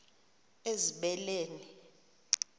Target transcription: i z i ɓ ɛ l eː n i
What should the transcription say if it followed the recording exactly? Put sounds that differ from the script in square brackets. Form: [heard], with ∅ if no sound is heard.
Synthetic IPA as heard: [e] z i ɓ ɛ l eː n i